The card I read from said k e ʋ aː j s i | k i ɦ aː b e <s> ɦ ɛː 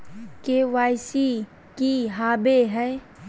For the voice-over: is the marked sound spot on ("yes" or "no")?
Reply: no